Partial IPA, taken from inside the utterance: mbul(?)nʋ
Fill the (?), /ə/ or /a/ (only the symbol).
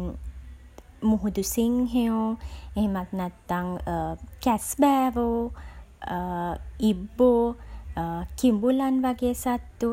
a